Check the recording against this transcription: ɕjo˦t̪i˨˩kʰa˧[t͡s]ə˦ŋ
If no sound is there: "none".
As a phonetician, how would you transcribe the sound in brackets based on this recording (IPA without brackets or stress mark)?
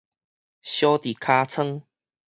t͡sʰ